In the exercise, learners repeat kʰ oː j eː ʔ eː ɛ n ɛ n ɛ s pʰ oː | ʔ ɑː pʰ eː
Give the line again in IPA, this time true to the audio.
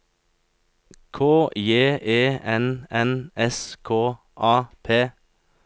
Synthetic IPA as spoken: kʰ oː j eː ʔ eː ɛ n ɛ n ɛ s kʰ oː | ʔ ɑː pʰ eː